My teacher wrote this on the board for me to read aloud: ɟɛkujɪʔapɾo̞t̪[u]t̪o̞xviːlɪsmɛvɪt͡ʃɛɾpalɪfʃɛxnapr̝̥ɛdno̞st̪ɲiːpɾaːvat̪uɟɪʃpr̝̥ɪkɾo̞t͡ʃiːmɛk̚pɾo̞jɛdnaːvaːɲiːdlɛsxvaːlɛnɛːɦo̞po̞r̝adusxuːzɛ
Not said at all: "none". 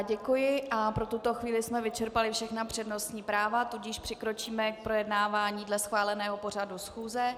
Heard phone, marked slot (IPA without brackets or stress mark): u